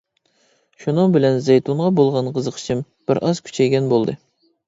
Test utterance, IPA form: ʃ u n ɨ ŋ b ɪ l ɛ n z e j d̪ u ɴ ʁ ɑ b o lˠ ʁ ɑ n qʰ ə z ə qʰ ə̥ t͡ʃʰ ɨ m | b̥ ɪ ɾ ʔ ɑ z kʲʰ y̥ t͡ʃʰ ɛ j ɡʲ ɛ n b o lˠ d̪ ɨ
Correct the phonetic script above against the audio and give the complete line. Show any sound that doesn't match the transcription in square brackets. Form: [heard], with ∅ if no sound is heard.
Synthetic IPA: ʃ u n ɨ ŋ b ɪ l ɛ n z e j [t̪] u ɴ ʁ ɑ b o lˠ ʁ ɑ n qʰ ə z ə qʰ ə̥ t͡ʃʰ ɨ m | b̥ ɪ ɾ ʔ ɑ z kʲʰ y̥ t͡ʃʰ ɛ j ɡʲ ɛ n b o lˠ d̪ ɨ